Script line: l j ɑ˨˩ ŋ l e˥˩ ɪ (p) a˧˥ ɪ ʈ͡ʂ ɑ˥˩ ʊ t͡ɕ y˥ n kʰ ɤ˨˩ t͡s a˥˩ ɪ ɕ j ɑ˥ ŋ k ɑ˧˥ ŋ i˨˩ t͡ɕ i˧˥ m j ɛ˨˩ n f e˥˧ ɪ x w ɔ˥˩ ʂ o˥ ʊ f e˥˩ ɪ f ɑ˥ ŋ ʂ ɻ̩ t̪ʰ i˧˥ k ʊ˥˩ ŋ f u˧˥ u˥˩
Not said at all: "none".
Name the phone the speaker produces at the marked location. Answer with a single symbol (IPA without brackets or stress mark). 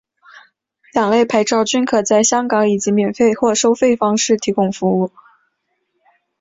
pʰ